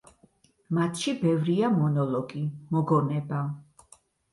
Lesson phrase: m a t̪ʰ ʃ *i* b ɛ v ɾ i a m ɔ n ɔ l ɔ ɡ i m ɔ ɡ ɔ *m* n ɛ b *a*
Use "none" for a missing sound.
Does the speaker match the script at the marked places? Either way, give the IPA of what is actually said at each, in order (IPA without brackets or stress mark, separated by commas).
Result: i, none, a